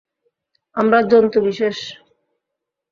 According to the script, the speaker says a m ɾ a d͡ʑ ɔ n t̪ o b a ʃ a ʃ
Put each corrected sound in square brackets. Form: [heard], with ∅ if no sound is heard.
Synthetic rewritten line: a m ɾ a d͡ʑ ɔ n t̪ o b [i] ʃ [e] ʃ

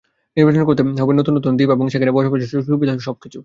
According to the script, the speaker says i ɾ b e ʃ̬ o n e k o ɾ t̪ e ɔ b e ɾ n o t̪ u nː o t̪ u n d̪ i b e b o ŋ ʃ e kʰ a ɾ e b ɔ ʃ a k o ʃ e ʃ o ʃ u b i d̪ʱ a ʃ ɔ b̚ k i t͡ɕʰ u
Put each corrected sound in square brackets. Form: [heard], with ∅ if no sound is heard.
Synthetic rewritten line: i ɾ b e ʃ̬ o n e k o ɾ t̪ e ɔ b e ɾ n o t̪ u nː o t̪ u n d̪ i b e b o ŋ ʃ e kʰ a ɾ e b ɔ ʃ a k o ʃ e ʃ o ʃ u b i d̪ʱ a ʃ ɔ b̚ k i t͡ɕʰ u

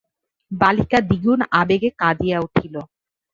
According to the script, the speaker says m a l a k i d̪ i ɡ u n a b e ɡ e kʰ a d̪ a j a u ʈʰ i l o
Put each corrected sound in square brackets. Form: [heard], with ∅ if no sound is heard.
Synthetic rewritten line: [b] a l [i] k [a] d̪ i ɡ u n a b e ɡ e [k] a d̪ [i] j a u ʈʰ i l o

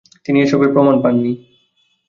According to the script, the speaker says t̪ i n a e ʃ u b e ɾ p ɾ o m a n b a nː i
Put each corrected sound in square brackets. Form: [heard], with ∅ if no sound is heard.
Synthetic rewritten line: t̪ i n [i] e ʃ [ɔ] b e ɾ p ɾ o m a n [p] a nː i

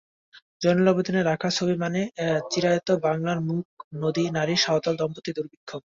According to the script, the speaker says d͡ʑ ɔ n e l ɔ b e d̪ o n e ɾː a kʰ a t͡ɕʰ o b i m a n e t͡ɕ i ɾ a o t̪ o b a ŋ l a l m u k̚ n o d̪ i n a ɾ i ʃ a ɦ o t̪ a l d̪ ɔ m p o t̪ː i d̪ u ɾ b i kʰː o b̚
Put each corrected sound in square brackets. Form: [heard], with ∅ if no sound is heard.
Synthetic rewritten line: d͡ʑ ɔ n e l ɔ b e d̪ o n e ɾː a kʰ a t͡ɕʰ o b i m a n e t͡ɕ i ɾ a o t̪ o b a ŋ l a [ɾ] m u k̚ n o d̪ i n a ɾ i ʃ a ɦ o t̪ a l d̪ ɔ m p o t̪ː i d̪ u ɾ b i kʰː o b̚

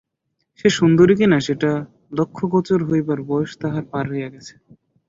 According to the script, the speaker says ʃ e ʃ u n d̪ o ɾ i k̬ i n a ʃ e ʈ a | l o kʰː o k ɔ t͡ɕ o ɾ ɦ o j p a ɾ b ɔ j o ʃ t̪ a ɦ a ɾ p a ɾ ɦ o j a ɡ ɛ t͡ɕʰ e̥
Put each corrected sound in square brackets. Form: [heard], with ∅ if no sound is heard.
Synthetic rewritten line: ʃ e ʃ u n d̪ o ɾ i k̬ i n a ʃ e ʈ a | l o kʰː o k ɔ t͡ɕ o ɾ ɦ o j [b] a ɾ b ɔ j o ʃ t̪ a ɦ a ɾ p a ɾ ɦ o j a ɡ ɛ t͡ɕʰ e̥

